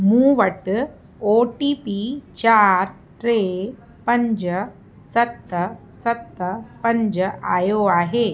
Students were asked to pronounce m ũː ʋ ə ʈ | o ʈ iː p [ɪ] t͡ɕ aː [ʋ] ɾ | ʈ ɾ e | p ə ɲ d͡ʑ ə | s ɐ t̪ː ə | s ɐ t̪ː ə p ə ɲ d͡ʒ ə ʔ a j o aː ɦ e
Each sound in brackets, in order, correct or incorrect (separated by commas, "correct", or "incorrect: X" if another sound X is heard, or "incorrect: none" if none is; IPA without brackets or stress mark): incorrect: i, incorrect: none